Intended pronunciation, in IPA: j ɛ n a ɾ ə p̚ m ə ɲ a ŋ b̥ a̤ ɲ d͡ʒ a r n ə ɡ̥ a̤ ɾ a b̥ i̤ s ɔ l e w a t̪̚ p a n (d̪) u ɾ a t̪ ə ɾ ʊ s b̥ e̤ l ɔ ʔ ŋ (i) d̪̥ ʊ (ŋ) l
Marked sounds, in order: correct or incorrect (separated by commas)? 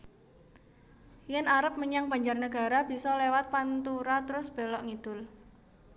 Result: incorrect, correct, incorrect